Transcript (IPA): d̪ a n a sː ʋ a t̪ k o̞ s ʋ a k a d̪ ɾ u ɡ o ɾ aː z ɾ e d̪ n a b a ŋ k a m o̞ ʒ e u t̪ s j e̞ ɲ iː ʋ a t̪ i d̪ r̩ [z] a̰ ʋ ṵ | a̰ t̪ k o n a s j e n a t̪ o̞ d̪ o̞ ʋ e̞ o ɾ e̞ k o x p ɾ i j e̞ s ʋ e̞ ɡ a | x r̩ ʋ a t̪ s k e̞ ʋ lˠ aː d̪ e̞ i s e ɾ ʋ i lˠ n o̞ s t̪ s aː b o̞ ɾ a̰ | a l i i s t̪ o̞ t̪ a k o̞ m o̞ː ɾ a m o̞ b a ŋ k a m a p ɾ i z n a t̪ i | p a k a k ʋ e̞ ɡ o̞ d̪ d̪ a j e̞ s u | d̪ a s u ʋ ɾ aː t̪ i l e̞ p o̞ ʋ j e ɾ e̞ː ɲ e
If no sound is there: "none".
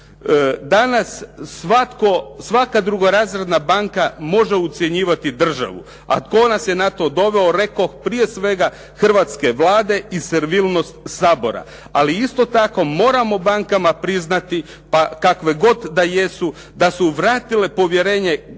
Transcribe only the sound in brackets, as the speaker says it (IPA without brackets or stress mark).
ʒ